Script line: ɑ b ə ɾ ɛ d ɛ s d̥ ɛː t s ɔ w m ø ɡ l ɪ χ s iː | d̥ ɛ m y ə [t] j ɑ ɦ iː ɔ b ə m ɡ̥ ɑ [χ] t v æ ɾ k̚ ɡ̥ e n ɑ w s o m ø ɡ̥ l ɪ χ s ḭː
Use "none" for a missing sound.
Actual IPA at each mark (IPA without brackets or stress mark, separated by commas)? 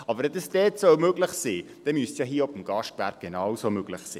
s, ʃ